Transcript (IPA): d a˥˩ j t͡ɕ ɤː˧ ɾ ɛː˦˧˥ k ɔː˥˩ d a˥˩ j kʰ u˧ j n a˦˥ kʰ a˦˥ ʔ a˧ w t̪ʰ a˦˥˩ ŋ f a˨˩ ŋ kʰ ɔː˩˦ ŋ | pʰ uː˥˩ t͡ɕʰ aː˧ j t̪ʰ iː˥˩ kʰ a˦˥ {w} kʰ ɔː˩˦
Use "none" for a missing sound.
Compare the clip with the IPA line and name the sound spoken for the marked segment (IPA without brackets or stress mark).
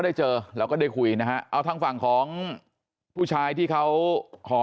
w